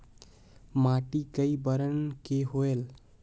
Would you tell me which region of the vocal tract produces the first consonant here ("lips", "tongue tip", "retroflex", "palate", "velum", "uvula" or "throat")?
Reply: lips